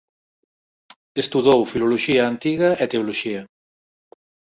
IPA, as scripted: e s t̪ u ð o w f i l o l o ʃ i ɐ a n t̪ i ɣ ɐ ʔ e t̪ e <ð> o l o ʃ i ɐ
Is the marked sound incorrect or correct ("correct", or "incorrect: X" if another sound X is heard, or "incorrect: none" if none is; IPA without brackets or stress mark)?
incorrect: none